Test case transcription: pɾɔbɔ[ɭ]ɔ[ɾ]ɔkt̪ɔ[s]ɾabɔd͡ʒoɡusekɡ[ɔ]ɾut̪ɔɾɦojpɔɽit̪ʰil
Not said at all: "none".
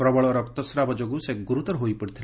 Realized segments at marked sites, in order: ɭ, ɾ, s, u

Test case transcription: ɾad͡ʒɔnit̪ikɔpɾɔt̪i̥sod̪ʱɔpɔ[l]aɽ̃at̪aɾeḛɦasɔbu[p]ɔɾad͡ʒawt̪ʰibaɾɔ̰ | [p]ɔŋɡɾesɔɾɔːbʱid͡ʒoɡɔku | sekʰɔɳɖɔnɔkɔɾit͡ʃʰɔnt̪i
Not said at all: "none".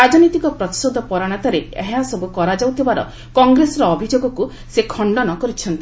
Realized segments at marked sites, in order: ɾ, k, k

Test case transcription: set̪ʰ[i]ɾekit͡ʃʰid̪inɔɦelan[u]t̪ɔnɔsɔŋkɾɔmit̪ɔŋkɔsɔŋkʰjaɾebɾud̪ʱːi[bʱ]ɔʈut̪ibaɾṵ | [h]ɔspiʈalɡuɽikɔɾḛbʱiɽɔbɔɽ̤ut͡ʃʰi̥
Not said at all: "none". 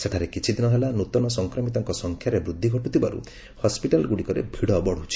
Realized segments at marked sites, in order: a, u, ɡʱ, h

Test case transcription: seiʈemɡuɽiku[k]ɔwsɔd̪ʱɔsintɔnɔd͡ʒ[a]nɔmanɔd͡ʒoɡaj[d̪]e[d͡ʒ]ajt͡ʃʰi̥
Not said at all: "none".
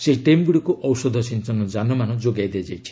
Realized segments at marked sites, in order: ʔ, a, d̪, d͡ʒ

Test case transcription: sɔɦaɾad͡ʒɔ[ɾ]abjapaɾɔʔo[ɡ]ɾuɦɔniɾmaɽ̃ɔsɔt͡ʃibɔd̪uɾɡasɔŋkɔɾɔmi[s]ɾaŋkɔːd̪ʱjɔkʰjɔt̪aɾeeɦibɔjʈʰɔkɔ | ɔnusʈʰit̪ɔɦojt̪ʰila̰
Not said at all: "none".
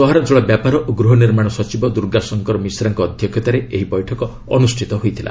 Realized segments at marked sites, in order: ɭ, ɡ, s

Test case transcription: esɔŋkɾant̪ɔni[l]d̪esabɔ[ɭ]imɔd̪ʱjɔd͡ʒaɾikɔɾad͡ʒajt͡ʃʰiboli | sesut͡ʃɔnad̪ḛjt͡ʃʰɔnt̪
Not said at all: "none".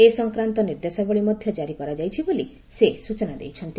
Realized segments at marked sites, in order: ɾ, ɭ

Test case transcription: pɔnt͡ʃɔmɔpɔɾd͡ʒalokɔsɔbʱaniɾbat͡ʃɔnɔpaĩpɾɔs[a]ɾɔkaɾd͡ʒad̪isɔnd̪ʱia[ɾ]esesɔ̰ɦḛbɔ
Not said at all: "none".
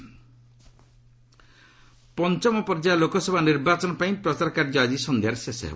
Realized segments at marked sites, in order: a, ɾ

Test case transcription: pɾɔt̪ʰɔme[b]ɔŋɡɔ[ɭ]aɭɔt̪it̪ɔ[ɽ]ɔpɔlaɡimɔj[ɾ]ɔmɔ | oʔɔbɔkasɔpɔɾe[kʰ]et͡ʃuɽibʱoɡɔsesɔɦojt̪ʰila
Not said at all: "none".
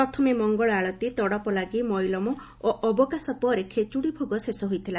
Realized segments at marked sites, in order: m, ɭ, ɽ, l, kʰ

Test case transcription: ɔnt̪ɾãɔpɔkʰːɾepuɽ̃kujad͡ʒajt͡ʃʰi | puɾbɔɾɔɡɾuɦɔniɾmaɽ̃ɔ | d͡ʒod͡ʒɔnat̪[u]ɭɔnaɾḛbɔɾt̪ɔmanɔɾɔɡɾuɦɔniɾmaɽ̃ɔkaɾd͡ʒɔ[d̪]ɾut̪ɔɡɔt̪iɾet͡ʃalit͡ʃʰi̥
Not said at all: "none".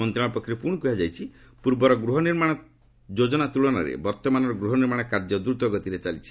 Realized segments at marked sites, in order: u, d̪

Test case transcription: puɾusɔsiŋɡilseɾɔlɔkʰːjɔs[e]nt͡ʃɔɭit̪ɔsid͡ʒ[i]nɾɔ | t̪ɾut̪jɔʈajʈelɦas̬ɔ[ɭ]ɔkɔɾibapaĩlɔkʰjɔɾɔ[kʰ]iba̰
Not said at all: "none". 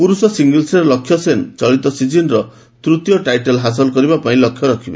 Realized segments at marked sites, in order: e, i, l, kʰ

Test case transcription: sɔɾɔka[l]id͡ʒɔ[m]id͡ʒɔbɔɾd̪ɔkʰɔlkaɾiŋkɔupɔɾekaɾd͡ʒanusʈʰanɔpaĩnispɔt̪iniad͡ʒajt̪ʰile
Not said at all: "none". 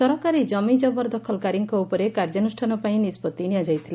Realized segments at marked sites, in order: ɾ, m

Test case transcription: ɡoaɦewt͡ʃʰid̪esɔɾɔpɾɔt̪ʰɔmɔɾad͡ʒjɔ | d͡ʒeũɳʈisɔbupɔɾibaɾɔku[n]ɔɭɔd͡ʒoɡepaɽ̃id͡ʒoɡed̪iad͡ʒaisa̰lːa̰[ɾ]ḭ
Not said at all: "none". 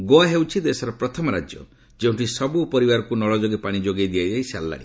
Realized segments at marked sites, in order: n, ɽ

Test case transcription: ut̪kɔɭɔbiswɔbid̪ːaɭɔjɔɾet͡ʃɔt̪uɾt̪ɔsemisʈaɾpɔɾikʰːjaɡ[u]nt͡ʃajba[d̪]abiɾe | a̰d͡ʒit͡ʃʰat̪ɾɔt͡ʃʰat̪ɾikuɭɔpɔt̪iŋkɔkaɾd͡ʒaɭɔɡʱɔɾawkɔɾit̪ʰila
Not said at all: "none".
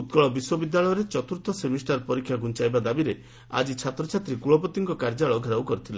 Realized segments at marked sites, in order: u, d̪

